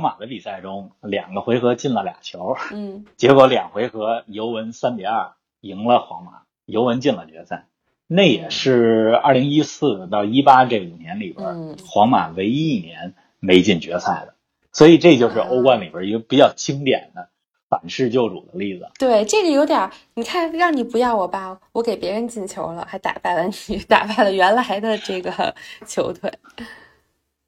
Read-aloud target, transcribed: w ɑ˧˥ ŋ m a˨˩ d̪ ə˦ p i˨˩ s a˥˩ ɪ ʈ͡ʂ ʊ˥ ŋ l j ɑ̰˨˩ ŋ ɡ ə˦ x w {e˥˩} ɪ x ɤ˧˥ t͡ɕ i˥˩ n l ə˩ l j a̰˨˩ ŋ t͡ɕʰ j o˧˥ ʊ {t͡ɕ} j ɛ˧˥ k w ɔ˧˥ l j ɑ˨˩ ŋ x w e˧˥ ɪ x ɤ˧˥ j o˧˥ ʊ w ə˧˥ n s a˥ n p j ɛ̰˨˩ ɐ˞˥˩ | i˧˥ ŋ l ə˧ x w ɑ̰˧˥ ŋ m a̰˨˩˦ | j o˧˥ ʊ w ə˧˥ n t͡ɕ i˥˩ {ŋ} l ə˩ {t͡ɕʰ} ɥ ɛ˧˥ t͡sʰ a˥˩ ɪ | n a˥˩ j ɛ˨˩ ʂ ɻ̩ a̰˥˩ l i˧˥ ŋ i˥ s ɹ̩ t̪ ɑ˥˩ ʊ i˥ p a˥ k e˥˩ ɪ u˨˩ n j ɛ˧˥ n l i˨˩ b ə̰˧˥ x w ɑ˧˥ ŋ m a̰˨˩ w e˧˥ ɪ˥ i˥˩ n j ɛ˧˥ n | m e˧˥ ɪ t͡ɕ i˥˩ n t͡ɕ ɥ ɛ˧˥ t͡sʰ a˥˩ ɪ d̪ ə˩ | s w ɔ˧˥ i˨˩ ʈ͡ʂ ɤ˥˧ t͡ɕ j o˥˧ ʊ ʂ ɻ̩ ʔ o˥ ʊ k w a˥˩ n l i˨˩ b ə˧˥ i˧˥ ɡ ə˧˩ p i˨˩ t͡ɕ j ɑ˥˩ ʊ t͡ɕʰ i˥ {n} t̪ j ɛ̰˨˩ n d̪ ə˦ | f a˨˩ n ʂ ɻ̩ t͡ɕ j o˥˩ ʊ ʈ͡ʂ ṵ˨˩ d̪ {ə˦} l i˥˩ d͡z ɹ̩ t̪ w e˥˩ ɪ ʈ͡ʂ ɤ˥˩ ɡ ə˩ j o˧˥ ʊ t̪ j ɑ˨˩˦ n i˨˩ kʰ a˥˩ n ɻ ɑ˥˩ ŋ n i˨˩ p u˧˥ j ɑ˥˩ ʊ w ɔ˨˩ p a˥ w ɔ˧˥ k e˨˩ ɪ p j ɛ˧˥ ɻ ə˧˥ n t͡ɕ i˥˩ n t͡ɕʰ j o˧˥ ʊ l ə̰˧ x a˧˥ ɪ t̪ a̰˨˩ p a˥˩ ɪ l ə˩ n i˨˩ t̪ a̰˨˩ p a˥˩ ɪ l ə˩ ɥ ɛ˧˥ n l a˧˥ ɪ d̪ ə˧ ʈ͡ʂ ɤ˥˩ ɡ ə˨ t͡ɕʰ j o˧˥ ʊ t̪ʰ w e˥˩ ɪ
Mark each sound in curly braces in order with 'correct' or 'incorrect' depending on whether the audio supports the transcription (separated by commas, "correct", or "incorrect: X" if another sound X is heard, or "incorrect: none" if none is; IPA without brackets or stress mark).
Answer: incorrect: e˧˥, correct, incorrect: n, incorrect: t͡ɕ, incorrect: ŋ, correct